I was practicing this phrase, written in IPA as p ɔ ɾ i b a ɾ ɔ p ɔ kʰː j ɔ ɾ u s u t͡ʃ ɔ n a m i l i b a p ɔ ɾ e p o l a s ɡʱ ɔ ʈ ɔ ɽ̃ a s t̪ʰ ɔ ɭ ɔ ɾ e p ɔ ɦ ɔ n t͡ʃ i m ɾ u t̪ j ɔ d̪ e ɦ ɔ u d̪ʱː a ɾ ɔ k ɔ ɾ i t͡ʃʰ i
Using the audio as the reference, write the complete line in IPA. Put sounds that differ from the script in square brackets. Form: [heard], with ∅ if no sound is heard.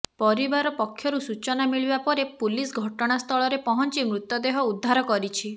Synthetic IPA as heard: p ɔ ɾ i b a ɾ ɔ p ɔ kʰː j ɔ ɾ u s u t͡ʃ ɔ n a m i [ɭ] i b a p ɔ ɾ e p [u] l [i] s ɡʱ ɔ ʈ ɔ ɽ̃ a s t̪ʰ ɔ ɭ ɔ ɾ e p ɔ ɦ ɔ n t͡ʃ i m ɾ u t̪ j ɔ d̪ e ɦ ɔ u d̪ʱː a ɾ ɔ k ɔ ɾ i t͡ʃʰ i